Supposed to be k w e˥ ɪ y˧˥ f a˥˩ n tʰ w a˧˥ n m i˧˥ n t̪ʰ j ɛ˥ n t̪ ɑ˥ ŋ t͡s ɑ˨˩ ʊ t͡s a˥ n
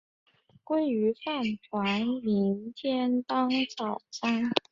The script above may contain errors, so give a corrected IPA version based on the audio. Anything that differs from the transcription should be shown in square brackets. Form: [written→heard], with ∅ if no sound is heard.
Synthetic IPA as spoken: k w e˥ ɪ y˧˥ f a˥˩ n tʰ w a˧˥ n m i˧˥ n t̪ʰ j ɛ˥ n t̪ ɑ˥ ŋ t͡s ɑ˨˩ ʊ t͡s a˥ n